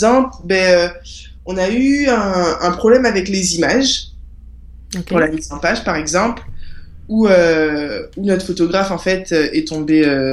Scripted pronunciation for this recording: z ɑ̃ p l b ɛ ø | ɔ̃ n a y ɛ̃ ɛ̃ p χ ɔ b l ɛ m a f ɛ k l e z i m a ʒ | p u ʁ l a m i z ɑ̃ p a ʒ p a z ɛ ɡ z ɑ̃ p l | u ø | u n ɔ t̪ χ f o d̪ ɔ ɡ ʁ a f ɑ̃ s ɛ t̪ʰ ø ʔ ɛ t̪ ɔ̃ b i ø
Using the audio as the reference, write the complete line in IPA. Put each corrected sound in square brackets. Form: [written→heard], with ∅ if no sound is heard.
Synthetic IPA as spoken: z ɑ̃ p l b ɛ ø | ɔ̃ n a y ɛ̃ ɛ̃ p χ ɔ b l ɛ m a [f→v] ɛ k l e z i m a ʒ | p u ʁ l a m i z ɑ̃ p a ʒ p a [z→ʁ] ɛ ɡ z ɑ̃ p l | u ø | u n ɔ t̪ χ f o [d̪→t̪] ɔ ɡ ʁ a f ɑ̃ [s→f] ɛ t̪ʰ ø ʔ ɛ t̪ ɔ̃ b [i→e] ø